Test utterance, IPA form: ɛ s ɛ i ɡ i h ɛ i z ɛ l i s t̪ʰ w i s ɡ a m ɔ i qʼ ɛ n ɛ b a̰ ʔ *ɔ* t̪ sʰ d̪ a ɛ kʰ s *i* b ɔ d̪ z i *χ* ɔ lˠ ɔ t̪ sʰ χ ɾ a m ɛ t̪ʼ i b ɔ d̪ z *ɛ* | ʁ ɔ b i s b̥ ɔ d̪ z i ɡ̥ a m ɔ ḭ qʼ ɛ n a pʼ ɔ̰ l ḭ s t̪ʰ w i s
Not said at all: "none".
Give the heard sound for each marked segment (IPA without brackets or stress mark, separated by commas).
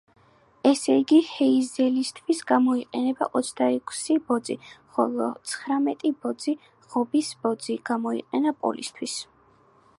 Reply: ɔ, i, χ, i